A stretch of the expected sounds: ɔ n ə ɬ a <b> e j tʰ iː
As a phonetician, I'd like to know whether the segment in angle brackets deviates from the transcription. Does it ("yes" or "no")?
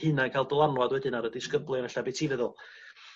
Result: no